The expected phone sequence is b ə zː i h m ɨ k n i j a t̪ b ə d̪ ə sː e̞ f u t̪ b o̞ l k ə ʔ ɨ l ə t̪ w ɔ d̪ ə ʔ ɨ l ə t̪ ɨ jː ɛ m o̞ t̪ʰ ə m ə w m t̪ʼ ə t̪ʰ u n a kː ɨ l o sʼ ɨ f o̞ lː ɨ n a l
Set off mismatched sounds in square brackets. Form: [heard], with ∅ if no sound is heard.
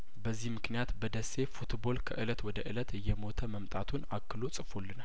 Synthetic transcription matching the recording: b ə zː i h m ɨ k n i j a t̪ b ə d̪ ə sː e̞ f u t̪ b o̞ l [kʰ] ə ʔ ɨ l ə t̪ w ɔ d̪ ə ʔ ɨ l ə t̪ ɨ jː ɛ m o̞ t̪ʰ ə m ə [∅] m t̪ʼ [a] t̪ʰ u n a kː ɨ l o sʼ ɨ f o̞ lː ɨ n a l